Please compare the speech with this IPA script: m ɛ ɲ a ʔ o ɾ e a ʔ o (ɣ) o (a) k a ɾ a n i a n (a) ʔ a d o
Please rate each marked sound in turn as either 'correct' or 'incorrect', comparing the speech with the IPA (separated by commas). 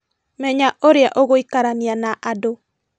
correct, incorrect, correct